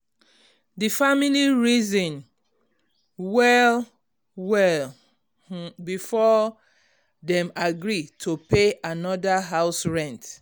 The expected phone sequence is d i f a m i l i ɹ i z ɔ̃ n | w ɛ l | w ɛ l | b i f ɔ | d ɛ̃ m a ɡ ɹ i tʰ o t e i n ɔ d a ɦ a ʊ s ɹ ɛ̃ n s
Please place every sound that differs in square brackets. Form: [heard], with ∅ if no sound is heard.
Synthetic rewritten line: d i f a m i l i ɹ i z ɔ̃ n | w ɛ l | w ɛ l | b i f ɔ | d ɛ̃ m a ɡ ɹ i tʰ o [p] e [a] n ɔ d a ɦ a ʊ s ɹ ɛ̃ n [t]

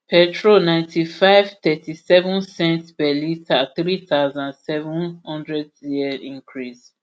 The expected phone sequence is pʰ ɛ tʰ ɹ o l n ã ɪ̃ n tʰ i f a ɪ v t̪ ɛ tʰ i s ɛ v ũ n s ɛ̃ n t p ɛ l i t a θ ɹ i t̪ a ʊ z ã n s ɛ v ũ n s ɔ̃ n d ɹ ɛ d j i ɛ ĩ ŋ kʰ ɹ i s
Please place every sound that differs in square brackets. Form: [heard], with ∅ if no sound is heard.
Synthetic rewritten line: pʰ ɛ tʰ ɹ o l n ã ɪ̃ n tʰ i f a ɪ v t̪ ɛ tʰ i s ɛ v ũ n s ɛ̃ n t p ɛ l i t a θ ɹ i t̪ a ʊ z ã n s ɛ v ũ n [h] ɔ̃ n d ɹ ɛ d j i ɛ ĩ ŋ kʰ ɹ i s

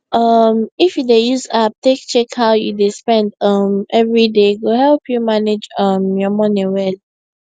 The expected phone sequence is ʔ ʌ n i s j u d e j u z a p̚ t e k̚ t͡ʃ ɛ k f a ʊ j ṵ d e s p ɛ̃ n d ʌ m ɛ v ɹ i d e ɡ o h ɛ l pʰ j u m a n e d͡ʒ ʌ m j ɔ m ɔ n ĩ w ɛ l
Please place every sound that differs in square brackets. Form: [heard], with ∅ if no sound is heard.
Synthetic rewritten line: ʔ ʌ [m] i [f] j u d e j u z a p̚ t e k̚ t͡ʃ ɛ k [h] a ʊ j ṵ d e s p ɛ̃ n d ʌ m ɛ v ɹ i d e ɡ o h ɛ l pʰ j u m a n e d͡ʒ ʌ m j ɔ m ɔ n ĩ w ɛ l

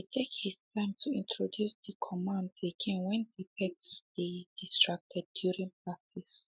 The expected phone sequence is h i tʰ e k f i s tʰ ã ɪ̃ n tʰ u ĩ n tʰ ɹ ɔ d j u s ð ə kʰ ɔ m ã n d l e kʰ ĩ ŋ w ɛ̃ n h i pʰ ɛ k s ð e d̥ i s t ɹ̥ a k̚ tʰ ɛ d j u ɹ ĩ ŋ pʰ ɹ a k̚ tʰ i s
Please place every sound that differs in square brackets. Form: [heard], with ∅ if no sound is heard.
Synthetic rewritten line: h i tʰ e k [h] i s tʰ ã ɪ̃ [m] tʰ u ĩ n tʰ ɹ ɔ d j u s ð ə kʰ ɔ m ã n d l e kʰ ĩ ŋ w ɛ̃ n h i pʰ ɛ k s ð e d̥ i s t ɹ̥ a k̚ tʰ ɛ d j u ɹ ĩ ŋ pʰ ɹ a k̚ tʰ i s

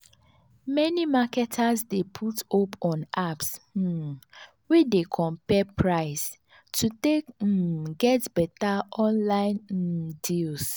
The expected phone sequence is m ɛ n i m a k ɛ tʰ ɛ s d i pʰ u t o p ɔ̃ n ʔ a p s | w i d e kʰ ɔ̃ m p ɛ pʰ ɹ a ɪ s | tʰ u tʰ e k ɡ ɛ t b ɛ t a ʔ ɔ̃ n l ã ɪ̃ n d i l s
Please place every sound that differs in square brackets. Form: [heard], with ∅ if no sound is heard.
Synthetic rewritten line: m ɛ n i m a k ɛ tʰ [a] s d [e] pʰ u t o p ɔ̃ n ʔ a p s | w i d e kʰ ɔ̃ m p ɛ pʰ ɹ a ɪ s | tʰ u [t] e k ɡ ɛ t b ɛ t a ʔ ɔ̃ n l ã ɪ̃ n d i l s

